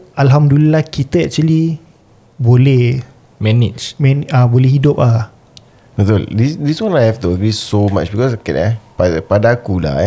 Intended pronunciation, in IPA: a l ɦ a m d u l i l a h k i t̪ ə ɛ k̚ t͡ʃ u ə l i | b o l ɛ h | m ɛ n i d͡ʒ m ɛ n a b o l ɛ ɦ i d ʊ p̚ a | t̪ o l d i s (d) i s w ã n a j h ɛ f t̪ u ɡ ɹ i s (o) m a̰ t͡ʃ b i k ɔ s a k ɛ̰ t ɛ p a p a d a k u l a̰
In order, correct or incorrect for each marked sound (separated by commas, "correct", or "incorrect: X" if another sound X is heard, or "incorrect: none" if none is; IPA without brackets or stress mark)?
correct, correct